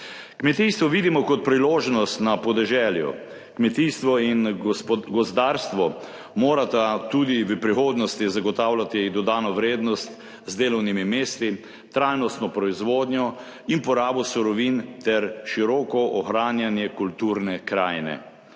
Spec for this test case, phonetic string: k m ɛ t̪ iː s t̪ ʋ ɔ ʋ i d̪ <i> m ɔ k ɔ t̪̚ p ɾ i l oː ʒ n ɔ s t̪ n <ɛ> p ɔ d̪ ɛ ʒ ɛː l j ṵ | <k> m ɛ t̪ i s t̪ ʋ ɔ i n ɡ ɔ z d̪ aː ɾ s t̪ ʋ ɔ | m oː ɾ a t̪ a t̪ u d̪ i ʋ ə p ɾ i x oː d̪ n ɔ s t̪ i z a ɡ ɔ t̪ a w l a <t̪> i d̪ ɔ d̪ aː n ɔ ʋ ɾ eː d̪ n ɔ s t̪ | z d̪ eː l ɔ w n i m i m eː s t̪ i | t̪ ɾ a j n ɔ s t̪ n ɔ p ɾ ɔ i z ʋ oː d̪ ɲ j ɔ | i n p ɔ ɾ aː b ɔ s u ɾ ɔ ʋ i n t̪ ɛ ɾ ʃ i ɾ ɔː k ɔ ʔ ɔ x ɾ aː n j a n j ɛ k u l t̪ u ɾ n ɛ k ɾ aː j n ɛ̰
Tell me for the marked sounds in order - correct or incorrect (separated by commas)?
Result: correct, incorrect, correct, correct